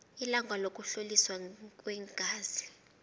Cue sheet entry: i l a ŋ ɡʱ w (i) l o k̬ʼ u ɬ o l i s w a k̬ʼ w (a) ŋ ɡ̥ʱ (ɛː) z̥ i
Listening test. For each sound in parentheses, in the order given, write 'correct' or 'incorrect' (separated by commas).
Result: incorrect, incorrect, incorrect